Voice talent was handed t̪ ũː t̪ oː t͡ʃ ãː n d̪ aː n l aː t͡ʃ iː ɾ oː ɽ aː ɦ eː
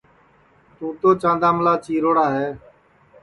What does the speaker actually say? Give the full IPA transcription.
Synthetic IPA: t̪ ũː t̪ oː t͡ʃ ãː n d̪ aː m l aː t͡ʃ iː ɾ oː ɽ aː ɦ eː

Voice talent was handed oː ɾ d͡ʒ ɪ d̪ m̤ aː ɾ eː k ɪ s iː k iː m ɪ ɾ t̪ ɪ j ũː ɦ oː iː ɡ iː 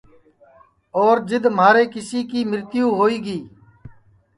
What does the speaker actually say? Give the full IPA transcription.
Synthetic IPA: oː ɾ d͡ʒ ɪ d̪ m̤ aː ɾ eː k ɪ s iː k iː m ɪ ɾ t̪ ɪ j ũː ɦ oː iː ɡ iː

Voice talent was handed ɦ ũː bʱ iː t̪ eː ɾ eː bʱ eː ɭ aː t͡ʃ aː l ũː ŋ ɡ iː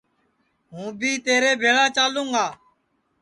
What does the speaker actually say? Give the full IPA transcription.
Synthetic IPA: ɦ ũː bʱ iː t̪ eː ɾ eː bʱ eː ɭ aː t͡ʃ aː l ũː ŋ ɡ aː

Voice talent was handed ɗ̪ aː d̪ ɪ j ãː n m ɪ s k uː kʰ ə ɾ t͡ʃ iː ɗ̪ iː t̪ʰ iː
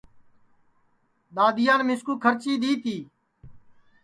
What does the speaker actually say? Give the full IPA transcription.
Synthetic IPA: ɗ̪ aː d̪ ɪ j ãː n m ɪ s k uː kʰ ə ɾ t͡ʃ iː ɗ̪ iː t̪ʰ iː

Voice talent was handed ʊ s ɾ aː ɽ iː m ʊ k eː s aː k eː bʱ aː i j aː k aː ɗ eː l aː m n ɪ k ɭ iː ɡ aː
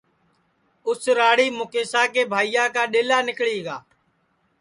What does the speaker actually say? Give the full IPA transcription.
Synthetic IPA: ʊ s ɾ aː ɽ iː m ʊ k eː s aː k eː bʱ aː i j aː k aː ɗ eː l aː n ɪ k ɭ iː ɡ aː

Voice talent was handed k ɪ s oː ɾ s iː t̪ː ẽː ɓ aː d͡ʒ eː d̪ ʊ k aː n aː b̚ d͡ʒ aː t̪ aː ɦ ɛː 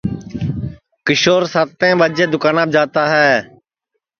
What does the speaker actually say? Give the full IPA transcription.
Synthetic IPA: k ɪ ʃ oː ɾ s aː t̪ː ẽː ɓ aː d͡ʒ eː d̪ ʊ k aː n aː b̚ d͡ʒ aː t̪ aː ɦ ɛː

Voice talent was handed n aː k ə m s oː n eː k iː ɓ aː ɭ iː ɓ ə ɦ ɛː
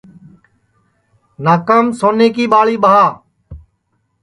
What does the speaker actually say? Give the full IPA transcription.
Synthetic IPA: n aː k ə m s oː n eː k iː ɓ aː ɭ iː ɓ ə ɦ aː

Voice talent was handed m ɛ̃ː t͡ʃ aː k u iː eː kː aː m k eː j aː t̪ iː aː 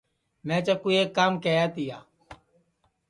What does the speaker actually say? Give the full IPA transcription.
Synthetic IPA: m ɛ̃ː t͡ʃ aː k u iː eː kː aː m k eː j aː t̪ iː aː

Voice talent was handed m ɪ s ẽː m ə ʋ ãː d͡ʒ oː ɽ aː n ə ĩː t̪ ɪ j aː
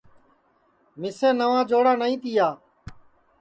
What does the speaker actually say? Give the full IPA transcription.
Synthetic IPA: m ɪ s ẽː n ə ʋ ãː d͡ʒ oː ɽ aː n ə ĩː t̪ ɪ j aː

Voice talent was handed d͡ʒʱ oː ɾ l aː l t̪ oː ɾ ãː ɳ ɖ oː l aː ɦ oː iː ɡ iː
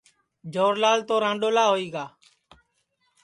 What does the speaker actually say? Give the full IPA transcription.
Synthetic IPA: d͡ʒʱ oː ɾ l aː l t̪ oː ɾ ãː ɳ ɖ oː l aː ɦ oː iː ɡ aː

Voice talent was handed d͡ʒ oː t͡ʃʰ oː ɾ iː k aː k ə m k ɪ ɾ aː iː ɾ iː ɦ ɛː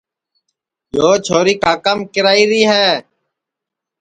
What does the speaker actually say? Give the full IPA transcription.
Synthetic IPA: d͡ʒ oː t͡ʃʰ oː ɾ iː k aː k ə m k ɪ ɾ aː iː ɾ iː ɦ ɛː

